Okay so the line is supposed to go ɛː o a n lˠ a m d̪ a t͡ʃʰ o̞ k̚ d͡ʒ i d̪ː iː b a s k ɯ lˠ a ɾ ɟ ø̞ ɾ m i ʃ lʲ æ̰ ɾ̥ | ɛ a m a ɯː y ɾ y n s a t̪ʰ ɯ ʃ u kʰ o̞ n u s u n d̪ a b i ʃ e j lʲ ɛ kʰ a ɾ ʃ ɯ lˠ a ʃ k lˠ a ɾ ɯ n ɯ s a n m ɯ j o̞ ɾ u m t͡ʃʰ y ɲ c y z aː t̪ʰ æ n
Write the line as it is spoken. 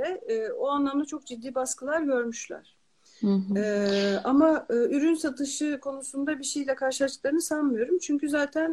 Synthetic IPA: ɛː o a n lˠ a m d̪ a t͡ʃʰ o̞ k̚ d͡ʒ i d̪ː iː b a s k ɯ lˠ a ɾ ɟ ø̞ ɾ m y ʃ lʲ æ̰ ɾ̥ | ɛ a m a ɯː y ɾ y n s a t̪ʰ ɯ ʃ ɯ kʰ o̞ n u s u n d̪ a b i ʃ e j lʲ ɛ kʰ a ɾ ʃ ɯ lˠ a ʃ k lˠ a ɾ ɯ n ɯ s a n m ɯ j o̞ ɾ u m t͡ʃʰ y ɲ c y z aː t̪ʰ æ n